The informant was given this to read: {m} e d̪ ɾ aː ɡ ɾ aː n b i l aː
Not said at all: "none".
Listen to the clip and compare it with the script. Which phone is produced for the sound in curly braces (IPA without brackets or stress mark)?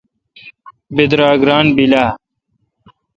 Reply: b